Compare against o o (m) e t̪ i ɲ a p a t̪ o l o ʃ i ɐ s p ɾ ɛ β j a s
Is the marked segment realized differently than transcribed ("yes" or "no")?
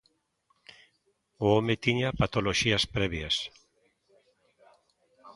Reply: no